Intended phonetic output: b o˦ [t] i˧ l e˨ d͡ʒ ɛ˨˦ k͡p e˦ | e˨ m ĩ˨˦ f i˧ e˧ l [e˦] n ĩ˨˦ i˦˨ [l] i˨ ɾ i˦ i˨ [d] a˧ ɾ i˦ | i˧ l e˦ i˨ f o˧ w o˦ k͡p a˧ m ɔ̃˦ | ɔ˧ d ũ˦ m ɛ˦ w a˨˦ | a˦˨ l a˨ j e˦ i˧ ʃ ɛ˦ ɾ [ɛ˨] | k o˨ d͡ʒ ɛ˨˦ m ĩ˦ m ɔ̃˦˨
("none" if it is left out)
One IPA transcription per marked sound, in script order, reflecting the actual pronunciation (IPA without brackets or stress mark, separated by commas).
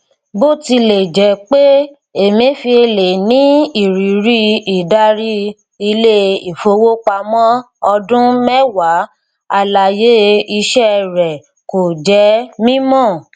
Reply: t, e˨, ɾ, d, ɛ˨